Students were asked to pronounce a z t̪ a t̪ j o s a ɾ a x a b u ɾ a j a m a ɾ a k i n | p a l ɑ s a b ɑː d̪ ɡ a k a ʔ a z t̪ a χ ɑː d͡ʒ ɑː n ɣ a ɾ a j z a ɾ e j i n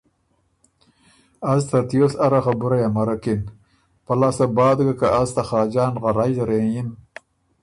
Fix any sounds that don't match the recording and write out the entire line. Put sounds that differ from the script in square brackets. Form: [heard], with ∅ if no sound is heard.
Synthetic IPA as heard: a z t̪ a t̪ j o s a ɾ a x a b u ɾ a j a m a ɾ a k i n | p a l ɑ s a b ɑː d̪ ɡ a k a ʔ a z t̪ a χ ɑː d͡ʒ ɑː n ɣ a ɾ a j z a ɾ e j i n